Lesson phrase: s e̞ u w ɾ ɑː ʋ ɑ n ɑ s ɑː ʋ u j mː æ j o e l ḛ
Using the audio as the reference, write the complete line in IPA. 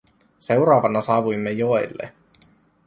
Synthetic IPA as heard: s e̞ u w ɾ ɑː ʋ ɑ n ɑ s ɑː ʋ u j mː e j o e lː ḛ